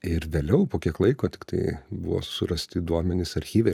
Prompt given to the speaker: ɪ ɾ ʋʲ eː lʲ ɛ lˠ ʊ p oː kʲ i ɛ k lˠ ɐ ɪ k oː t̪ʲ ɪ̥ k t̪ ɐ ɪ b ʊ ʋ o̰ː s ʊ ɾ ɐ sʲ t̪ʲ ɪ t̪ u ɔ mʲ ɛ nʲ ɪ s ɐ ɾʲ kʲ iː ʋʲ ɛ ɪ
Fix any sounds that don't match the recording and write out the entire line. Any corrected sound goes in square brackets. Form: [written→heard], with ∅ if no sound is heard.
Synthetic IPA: ɪ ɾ ʋʲ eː lʲ ɛ [lˠ→∅] ʊ p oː kʲ i ɛ k lˠ ɐ ɪ k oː t̪ʲ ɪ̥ k t̪ ɐ ɪ b ʊ ʋ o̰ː s ʊ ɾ ɐ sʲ t̪ʲ ɪ [t̪→d̪] u ɔ mʲ ɛ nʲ ɪ s ɐ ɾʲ [kʲ→xʲ] iː ʋʲ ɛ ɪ